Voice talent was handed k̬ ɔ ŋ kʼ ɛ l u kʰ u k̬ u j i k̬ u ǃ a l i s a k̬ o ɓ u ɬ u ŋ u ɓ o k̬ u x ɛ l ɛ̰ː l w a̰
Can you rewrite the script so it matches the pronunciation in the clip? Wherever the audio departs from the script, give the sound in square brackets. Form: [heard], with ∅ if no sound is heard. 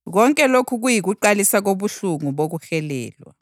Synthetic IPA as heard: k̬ ɔ ŋ kʼ ɛ l [o] kʰ u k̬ u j i k̬ u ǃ a l i s a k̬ o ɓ u ɬ u ŋ u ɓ o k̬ u x ɛ l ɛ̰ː l w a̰